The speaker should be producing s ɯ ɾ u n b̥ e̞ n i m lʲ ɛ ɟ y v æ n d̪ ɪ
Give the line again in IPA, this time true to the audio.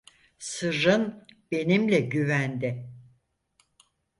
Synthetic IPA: s ɯ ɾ ɯ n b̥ e̞ n i m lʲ ɛ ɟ y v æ n d̪ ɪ